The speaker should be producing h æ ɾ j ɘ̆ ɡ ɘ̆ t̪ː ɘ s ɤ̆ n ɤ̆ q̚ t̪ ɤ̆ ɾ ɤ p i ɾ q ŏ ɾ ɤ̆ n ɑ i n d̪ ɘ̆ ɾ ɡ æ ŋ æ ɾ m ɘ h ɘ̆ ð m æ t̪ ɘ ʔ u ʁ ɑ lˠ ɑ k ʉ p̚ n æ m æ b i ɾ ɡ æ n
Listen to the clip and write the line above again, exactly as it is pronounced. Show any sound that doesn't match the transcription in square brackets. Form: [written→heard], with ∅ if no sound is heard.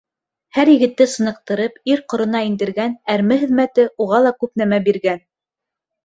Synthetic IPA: h æ ɾ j ɘ̆ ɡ ɘ̆ t̪ː ɘ s ɤ̆ n ɤ̆ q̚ t̪ ɤ̆ ɾ ɤ p i ɾ q ŏ ɾ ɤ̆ n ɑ i n d̪ ɘ̆ ɾ ɡ æ [ŋ→n] æ ɾ m ɘ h ɘ̆ ð m æ t̪ ɘ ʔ u ʁ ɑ lˠ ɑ k ʉ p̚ n æ m æ b i ɾ ɡ æ n